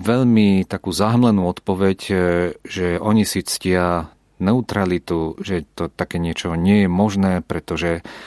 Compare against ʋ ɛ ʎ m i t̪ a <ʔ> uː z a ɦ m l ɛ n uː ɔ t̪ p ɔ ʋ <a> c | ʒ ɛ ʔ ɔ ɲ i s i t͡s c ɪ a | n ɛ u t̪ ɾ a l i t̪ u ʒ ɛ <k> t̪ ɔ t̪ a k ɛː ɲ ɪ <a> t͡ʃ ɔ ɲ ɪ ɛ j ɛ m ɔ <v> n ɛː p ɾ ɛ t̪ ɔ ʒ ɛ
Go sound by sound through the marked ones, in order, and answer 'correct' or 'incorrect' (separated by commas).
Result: incorrect, incorrect, incorrect, incorrect, incorrect